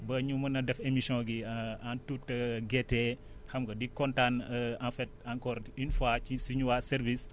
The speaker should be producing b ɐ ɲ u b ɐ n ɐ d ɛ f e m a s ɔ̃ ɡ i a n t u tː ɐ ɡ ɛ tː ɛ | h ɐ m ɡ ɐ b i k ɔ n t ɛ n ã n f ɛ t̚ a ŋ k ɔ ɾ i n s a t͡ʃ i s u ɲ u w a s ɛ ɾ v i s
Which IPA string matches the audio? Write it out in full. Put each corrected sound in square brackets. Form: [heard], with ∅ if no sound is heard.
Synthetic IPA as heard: b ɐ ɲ u [m] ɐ n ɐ d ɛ f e m [i] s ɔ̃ ɡ i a n t u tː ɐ ɡ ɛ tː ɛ | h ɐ m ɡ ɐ [d] i k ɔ n t [a] n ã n f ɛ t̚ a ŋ k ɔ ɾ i n [f] a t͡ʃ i s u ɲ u w a s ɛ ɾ v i s